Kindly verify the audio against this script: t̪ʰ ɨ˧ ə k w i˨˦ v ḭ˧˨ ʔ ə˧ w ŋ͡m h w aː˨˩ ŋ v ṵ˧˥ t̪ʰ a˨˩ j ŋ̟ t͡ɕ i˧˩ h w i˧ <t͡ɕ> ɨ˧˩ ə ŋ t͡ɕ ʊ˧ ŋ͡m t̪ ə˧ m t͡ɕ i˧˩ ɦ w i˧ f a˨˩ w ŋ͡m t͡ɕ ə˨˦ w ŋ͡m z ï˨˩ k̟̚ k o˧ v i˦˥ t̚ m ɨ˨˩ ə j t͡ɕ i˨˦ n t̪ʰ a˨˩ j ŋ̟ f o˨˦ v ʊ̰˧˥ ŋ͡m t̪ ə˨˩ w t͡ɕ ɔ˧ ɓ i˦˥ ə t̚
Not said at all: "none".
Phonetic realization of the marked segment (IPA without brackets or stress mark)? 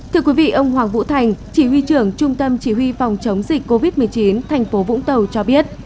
t͡ɕ